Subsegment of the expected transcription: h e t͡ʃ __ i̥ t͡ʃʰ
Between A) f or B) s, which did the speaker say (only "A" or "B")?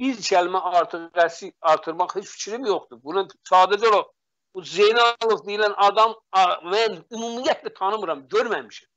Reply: A